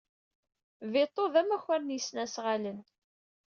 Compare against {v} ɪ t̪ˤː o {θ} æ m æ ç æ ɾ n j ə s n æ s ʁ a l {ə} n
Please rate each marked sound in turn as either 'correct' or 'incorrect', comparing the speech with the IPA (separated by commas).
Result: correct, incorrect, correct